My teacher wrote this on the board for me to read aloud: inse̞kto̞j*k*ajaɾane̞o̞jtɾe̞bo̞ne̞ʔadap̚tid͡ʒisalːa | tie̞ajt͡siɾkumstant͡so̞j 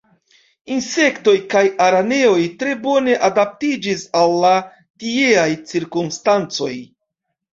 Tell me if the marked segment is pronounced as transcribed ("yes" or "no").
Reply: yes